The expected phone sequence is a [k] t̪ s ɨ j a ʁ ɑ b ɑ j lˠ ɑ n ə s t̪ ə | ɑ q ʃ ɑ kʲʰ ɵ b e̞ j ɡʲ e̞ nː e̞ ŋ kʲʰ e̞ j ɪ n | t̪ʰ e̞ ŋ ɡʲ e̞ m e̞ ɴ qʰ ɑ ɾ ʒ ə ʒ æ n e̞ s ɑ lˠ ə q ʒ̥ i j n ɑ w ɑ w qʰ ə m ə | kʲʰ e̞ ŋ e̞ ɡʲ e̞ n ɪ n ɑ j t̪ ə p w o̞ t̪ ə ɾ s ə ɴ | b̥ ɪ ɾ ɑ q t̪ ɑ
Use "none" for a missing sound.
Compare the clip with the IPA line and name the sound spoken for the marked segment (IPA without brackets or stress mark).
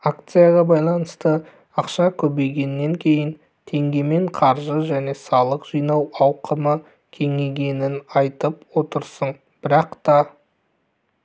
k